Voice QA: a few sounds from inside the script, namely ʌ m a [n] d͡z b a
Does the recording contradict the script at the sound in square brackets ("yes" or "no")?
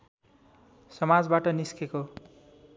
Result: yes